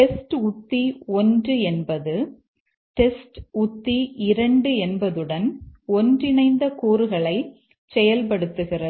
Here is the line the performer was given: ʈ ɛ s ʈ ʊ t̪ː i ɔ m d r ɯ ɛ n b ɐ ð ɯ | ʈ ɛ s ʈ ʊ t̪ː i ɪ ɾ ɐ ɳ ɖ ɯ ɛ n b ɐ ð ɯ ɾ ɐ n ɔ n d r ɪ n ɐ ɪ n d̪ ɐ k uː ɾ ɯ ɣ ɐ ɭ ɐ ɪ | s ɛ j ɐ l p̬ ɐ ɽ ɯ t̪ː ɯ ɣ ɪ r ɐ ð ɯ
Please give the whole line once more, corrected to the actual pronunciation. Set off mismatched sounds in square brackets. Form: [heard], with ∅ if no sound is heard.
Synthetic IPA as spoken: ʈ ɛ s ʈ ʊ t̪ː i ɔ [n] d r ɯ ɛ n b ɐ ð ɯ | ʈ ɛ s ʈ ʊ t̪ː i ɪ ɾ ɐ ɳ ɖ ɯ ɛ n b ɐ ð ɯ [ɽ] ɐ n ɔ n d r ɪ n ɐ ɪ n d̪ ɐ k uː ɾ ɯ ɣ ɐ ɭ ɐ ɪ | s ɛ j ɐ l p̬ ɐ ɽ ɯ t̪ː ɯ ɣ ɪ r ɐ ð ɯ